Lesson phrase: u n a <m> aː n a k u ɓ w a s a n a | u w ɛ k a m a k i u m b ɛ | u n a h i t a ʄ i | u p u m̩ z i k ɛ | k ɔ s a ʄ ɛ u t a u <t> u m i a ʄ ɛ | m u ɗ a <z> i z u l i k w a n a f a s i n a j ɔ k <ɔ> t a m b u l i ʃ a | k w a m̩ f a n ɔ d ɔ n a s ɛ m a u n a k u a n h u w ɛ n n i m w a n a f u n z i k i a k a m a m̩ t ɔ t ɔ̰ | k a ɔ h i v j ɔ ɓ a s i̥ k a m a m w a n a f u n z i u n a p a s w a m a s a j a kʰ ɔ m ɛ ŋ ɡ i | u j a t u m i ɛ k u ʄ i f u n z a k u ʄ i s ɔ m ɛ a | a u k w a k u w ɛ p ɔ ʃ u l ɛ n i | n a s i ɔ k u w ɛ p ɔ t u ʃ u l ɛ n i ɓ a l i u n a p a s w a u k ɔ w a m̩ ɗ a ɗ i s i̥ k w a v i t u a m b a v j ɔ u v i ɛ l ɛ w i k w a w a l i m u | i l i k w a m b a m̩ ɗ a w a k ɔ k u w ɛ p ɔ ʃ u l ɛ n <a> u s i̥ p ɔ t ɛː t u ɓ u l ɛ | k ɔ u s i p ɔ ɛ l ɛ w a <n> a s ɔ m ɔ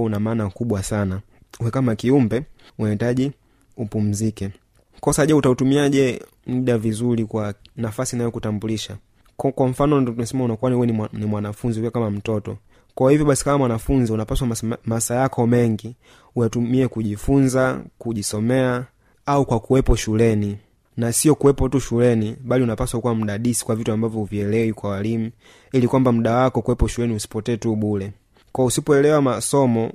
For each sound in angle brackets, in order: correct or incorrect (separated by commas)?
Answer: correct, correct, incorrect, incorrect, incorrect, incorrect